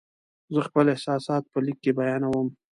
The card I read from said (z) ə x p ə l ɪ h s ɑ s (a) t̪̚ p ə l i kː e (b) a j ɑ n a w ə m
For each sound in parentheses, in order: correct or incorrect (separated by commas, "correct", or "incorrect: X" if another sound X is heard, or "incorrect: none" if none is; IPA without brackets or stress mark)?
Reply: correct, incorrect: ɑ, correct